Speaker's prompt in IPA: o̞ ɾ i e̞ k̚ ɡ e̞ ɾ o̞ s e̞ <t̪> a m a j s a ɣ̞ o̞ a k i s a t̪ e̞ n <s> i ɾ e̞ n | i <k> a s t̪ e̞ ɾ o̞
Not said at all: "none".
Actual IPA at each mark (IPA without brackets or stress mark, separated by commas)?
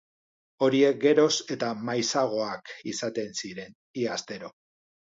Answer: t̪, s, none